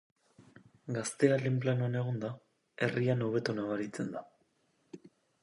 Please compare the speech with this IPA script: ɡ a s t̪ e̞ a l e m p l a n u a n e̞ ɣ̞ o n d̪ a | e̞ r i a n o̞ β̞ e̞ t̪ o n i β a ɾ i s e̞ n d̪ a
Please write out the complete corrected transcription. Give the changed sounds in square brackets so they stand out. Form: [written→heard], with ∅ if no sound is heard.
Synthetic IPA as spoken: ɡ a s t̪ e̞ a l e m p l a n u a n e̞ ɣ̞ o n d̪ a | e̞ r i a n o̞ β̞ e̞ t̪ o n [i→a] β a ɾ i [s→t͡s] e̞ n d̪ a